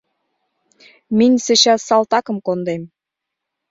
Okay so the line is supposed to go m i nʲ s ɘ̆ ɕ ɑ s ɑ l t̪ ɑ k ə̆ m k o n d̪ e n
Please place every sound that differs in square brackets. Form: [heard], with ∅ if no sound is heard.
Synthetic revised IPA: m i nʲ s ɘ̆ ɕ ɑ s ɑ l t̪ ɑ k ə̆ m k o n d̪ e [m]